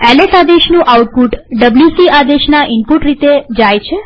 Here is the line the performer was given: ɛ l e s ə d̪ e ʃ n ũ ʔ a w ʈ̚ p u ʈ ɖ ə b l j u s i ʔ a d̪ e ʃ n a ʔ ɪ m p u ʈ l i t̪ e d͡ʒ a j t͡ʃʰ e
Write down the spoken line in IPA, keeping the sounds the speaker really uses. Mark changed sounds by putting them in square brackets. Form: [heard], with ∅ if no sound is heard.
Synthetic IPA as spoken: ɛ l e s [a] d̪ e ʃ n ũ ʔ a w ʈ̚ p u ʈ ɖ ə b l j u s i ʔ a d̪ e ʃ n a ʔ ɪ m p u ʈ [ɾ] i t̪ e d͡ʒ a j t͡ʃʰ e